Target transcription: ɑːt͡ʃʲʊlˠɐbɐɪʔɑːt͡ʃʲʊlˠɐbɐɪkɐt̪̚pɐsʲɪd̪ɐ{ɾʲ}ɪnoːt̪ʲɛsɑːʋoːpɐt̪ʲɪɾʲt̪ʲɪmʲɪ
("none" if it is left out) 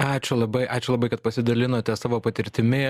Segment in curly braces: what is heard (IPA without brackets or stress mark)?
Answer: lʲ